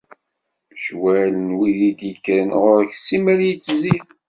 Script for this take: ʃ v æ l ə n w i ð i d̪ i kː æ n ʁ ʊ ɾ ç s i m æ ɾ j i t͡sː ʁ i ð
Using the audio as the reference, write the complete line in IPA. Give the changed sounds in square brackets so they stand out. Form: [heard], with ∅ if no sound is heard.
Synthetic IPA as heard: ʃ [w] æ l ə n w i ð i d̪ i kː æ n ʁ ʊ ɾ ç s i m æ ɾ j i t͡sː [z] i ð